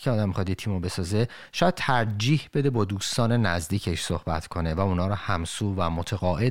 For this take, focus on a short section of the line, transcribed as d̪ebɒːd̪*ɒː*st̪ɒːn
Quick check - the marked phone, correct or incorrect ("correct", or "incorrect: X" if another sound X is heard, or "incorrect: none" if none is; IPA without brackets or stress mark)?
incorrect: uː